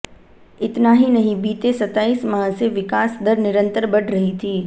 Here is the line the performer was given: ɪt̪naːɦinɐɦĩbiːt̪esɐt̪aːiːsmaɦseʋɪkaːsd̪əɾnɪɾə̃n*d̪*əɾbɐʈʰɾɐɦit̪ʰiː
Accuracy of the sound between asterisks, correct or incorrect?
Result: incorrect